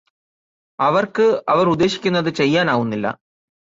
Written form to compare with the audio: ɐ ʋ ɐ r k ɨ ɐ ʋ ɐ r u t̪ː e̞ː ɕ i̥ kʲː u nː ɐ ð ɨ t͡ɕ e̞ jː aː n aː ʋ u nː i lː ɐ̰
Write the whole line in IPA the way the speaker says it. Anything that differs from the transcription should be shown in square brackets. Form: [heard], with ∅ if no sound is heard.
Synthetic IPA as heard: ɐ ʋ ɐ r k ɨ ɐ ʋ ɐ r u [d̪ː] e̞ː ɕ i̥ kʲː u nː ɐ ð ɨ t͡ɕ e̞ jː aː n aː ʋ u nː i lː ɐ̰